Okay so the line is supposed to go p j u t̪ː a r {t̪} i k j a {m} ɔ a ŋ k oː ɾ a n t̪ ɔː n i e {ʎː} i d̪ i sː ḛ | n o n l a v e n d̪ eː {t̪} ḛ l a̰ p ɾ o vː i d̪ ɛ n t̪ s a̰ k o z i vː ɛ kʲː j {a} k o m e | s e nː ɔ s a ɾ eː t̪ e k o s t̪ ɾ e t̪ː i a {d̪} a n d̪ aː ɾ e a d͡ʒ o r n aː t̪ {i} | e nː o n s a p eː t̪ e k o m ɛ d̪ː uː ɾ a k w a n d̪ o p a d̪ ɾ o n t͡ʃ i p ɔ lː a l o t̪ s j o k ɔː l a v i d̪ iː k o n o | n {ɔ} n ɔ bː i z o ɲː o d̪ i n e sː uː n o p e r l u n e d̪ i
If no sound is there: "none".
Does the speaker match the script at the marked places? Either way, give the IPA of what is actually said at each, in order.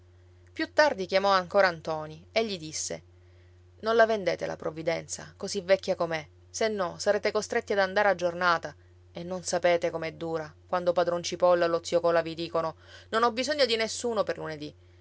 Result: d̪, m, ʎː, t̪, a, d̪, a, o

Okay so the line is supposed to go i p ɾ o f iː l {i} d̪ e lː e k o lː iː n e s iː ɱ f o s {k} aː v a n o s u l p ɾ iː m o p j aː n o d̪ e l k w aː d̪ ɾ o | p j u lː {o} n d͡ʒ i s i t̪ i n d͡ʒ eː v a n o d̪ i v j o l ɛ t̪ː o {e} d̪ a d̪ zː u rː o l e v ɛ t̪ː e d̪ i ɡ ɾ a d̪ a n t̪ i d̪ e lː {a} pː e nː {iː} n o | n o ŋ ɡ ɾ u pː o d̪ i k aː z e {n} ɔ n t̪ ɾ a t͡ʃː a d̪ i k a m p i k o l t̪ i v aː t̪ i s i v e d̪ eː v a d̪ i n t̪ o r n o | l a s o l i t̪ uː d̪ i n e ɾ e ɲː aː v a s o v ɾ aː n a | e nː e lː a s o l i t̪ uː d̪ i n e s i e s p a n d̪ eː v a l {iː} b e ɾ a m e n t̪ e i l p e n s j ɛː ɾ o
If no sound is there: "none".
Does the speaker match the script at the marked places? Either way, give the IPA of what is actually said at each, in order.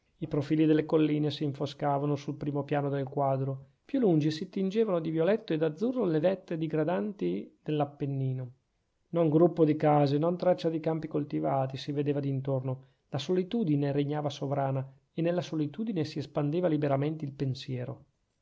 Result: i, k, u, e, a, iː, n, i

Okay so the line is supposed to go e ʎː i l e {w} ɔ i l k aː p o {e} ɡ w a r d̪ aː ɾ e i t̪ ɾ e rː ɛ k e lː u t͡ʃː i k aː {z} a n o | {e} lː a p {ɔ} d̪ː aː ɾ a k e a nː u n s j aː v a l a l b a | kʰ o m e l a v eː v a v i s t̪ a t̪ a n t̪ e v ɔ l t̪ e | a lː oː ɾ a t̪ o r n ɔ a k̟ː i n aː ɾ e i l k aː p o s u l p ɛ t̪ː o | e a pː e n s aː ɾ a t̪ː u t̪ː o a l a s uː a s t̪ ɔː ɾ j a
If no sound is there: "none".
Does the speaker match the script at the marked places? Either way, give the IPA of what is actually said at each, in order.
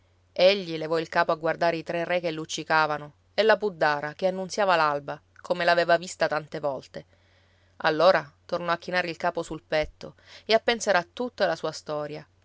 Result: v, a, v, e, u

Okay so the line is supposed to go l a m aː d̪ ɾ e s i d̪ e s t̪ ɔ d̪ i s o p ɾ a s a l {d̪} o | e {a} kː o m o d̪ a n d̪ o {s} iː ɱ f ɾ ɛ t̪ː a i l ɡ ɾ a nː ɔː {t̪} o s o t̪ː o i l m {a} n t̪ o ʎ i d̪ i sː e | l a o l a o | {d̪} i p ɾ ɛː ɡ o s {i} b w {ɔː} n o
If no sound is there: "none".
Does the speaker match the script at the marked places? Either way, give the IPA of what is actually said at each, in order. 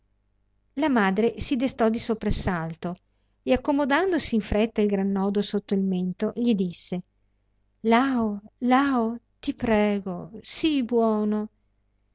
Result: t̪, a, s, d̪, e, t̪, i, ɔː

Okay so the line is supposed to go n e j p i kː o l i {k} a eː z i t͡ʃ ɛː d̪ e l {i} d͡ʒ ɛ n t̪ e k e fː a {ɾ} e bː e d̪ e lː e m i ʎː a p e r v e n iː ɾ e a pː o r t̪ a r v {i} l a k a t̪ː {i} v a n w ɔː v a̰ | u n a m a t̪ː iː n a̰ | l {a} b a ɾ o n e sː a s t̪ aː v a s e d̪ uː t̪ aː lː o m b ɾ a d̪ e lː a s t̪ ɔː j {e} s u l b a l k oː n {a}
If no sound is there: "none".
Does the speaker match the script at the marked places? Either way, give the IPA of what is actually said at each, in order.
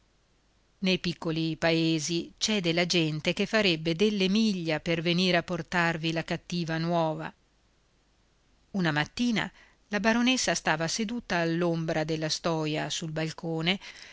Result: p, a, ɾ, i, iː, a, a, e

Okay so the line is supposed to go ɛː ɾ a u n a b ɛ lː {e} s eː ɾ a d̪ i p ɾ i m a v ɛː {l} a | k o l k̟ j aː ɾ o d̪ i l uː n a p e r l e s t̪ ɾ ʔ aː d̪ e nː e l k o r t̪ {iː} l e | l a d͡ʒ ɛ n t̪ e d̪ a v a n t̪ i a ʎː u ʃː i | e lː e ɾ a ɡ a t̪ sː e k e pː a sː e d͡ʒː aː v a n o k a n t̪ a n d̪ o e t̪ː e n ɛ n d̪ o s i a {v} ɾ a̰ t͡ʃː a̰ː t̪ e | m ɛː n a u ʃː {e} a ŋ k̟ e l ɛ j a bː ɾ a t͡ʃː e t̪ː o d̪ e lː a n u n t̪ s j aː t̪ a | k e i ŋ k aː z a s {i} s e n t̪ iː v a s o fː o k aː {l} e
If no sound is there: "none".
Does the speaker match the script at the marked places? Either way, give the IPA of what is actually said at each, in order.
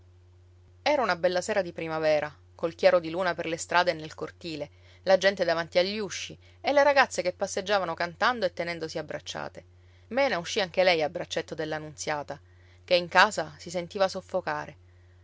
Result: a, ɾ, iː, b, i, i, ɾ

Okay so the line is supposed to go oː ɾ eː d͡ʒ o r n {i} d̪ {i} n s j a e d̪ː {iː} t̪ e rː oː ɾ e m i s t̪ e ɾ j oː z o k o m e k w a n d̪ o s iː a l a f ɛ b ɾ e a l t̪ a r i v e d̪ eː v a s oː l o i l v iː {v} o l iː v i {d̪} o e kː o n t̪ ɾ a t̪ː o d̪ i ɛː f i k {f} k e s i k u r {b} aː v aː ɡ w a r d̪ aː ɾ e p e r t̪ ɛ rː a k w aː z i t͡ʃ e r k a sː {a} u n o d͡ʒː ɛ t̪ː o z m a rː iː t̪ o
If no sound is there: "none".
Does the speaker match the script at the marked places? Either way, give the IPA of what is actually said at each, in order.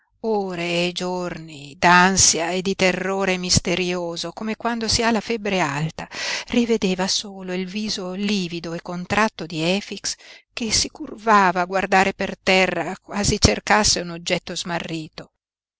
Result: i, a, i, z, d̪, s, v, e

